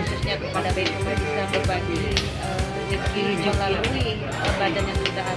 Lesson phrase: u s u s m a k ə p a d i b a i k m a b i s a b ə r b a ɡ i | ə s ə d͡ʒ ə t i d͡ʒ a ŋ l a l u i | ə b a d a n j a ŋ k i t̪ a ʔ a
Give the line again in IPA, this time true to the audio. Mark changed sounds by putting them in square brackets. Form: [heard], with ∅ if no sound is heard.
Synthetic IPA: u s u s [ɲ] a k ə p a d [a] b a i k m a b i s a b ə r b a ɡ i | ə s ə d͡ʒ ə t i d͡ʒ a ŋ l a l u i | ə b a d a n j a ŋ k i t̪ a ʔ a